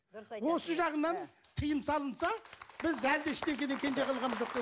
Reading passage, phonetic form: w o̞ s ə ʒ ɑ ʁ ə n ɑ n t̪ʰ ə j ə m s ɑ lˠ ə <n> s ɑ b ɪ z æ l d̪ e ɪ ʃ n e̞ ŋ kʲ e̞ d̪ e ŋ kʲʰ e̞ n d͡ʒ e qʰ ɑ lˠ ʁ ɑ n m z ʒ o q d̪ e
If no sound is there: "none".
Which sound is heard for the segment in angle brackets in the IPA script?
n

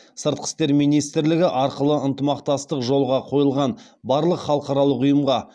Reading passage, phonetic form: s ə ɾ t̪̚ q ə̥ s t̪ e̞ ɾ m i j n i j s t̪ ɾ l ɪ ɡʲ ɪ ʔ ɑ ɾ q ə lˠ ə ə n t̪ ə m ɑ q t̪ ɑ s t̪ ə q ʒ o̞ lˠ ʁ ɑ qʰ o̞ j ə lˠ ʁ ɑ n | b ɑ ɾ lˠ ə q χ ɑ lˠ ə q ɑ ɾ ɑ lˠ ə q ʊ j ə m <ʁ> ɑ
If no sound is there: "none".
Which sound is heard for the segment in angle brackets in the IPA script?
ʁ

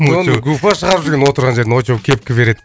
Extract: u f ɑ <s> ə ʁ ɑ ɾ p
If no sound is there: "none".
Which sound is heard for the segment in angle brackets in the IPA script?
ʃ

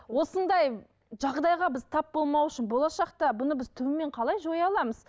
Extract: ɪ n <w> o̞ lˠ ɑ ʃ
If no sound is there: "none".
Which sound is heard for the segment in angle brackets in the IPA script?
b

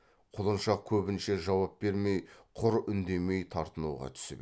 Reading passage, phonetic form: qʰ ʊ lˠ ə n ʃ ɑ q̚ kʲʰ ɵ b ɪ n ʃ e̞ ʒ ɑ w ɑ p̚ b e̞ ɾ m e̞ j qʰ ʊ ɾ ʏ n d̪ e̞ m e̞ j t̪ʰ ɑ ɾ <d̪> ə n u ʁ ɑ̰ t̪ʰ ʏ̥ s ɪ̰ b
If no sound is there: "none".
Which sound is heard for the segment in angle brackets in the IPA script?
t̪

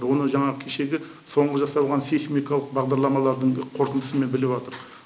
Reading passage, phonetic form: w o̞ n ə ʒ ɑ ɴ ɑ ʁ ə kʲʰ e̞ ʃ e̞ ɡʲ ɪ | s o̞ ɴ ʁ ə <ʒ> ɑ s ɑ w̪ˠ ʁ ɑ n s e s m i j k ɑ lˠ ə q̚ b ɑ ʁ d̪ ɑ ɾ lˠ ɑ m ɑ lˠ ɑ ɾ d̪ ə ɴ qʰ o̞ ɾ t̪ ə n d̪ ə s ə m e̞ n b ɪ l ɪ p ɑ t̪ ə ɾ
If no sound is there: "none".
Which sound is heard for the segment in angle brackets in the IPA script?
ʒ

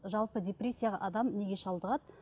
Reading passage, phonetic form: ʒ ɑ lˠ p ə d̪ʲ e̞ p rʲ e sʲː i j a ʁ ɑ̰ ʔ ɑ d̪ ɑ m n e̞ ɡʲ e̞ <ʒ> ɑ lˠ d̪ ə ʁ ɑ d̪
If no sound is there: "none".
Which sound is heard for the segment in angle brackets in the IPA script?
ʃ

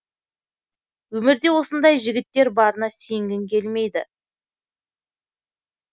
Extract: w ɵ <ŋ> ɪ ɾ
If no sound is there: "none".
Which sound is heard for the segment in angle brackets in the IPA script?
m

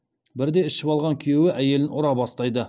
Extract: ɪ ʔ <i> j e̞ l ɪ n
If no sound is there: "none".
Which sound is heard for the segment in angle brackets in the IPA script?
æ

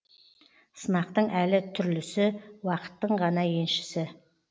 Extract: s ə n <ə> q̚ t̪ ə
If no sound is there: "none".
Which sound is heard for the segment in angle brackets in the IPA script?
ɑ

